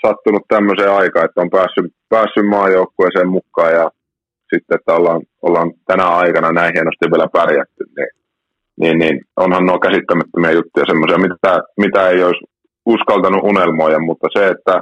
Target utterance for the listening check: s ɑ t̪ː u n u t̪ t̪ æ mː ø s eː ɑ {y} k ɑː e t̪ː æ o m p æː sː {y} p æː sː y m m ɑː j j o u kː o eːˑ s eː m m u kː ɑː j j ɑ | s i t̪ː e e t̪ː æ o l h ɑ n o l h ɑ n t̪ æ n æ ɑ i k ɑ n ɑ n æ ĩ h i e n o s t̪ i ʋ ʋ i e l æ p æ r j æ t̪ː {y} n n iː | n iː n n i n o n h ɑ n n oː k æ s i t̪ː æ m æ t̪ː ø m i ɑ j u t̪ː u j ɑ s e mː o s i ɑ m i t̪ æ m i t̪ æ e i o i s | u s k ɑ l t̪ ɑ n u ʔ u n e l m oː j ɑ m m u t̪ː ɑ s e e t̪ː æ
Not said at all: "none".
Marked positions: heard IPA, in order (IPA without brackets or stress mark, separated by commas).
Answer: i, y, y